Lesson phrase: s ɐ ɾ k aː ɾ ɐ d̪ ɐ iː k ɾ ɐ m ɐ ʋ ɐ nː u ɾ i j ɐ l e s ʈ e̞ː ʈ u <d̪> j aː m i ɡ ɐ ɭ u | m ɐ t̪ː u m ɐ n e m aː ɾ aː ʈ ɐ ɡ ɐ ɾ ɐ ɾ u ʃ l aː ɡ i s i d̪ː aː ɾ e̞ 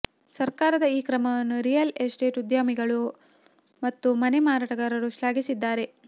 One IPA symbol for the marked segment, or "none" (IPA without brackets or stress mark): d̪